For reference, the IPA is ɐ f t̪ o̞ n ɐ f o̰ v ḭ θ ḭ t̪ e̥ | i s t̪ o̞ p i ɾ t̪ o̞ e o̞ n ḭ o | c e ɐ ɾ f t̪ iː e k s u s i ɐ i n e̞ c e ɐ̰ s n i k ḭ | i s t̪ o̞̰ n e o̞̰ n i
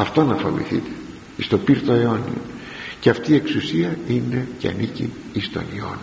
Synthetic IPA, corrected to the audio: ɐ f t̪ o̞ n ɐ f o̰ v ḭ θ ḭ t̪ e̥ | i s t̪ o̞ p i ɾ t̪ o̞ e o̞ n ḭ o | c e ɐ f t̪ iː e k s u s i ɐ i n e̞ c e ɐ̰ n i c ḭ | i s t̪ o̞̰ n i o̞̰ n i